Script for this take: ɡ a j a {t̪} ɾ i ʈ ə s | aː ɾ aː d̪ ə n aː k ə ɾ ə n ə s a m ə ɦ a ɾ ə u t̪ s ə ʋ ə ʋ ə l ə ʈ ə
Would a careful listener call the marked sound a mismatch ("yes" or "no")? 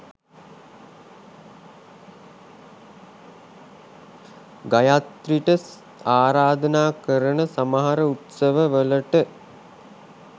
no